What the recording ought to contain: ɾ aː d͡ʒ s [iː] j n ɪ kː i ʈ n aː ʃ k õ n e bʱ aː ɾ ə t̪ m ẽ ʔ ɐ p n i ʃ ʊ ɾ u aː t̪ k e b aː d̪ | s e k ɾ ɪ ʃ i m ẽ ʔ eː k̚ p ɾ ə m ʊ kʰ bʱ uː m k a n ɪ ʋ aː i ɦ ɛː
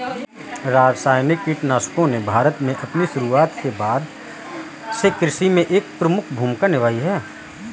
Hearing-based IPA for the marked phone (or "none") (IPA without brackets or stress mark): aː